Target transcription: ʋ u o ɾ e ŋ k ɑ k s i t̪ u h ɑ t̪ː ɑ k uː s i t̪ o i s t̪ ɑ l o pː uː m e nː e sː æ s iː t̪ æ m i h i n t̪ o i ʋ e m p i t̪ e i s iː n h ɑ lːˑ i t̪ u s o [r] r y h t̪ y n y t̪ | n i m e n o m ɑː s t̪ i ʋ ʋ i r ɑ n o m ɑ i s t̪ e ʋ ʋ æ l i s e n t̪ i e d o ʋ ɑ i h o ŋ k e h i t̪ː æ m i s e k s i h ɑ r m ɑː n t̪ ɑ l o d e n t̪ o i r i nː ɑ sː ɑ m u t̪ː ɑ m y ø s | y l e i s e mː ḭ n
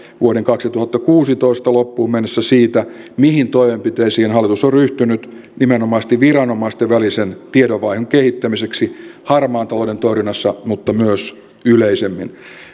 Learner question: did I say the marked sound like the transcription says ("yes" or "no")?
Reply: yes